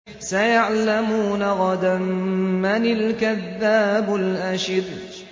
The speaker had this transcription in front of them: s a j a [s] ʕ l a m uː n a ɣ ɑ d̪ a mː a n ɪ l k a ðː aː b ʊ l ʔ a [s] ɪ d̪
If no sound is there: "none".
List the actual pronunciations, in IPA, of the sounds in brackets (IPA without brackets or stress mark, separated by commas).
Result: none, ʃ